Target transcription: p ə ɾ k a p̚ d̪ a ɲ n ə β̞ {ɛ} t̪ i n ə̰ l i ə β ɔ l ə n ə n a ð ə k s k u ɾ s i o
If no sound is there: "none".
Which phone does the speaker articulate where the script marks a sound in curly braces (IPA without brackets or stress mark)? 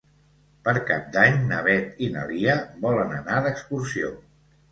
ɛ